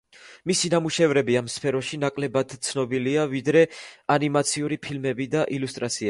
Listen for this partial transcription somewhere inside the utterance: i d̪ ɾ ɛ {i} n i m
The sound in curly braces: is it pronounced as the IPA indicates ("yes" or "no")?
no